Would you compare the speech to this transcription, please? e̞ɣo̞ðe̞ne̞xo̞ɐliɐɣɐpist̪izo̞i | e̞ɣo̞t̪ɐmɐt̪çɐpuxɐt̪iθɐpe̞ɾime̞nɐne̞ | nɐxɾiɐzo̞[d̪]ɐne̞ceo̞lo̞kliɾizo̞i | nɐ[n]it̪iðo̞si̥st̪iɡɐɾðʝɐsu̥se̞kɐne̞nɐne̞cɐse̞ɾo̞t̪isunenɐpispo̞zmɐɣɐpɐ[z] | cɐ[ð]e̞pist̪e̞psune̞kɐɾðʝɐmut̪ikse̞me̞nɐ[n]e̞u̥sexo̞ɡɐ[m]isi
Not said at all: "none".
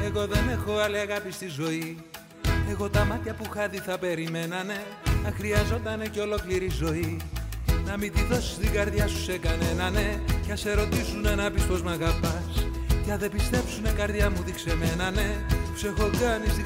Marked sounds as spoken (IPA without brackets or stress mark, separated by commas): t̪, m, s, ð, n, n